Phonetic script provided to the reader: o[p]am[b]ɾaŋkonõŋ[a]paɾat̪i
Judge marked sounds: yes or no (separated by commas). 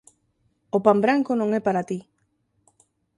yes, yes, no